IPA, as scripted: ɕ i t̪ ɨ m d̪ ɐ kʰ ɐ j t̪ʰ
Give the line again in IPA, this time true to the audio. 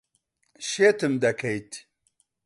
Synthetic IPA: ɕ e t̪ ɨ m d̪ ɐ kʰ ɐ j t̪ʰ